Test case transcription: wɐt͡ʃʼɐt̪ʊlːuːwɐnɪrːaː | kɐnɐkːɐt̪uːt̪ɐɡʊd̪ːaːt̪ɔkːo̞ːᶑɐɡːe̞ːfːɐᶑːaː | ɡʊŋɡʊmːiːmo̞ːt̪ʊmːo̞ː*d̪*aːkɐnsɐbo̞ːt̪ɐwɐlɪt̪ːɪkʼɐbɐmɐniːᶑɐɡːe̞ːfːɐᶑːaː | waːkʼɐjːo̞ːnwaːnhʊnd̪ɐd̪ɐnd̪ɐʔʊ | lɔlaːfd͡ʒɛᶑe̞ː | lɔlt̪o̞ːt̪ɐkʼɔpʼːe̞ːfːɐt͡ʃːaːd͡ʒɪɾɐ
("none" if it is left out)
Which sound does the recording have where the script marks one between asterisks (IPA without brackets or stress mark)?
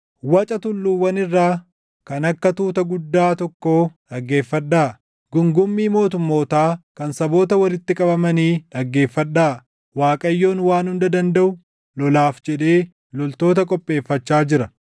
t̪